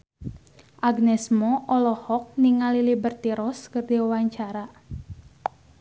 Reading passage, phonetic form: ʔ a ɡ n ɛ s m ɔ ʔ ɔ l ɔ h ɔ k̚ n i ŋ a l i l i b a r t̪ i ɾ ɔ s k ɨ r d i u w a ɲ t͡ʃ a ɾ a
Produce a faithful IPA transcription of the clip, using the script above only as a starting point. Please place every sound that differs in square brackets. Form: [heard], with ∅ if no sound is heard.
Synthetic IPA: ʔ a ɡ n ɛ s m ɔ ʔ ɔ l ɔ h ɔ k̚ n i ŋ a l i l i b [ə] r t̪ i ɾ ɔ s k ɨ r d i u w a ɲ t͡ʃ a ɾ a